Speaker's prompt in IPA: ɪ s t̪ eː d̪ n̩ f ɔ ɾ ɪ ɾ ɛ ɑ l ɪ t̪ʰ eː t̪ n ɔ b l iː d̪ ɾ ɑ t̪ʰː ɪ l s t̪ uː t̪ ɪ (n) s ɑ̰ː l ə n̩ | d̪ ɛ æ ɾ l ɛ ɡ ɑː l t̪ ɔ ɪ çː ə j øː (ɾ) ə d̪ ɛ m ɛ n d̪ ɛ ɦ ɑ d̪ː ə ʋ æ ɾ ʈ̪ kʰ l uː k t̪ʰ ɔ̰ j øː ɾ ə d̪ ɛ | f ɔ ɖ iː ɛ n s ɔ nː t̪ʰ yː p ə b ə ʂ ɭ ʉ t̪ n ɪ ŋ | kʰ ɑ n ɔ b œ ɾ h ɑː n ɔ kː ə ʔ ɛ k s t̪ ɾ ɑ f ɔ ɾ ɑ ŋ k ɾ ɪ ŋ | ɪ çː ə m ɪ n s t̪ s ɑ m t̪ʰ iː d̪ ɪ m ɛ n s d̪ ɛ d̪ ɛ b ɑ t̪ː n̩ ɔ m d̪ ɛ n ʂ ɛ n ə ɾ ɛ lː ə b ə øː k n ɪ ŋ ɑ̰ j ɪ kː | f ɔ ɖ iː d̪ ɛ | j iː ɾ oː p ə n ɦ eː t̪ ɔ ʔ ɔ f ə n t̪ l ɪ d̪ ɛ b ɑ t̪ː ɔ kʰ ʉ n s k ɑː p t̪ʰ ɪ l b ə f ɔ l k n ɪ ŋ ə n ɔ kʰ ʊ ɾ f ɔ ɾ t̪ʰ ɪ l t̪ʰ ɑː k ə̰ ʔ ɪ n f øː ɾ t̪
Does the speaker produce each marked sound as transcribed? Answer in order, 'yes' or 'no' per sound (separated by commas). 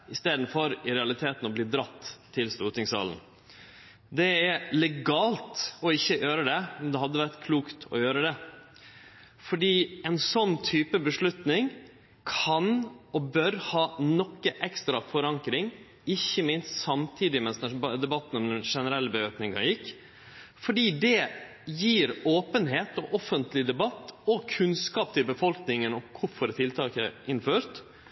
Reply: no, yes